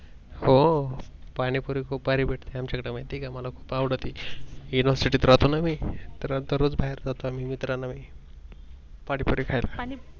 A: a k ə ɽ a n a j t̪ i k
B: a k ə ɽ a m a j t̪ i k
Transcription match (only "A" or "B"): B